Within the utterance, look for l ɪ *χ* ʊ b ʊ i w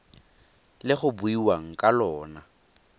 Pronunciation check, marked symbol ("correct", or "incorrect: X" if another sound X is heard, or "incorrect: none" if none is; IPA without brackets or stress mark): correct